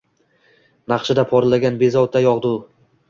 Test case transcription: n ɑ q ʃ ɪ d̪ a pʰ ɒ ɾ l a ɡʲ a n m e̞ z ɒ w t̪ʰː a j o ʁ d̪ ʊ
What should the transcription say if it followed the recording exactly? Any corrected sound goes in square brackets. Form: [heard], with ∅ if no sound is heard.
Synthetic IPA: n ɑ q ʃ ɪ d̪ a pʰ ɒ ɾ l a ɡʲ a n [b] e̞ z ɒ w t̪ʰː a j [ɒ] ʁ d̪ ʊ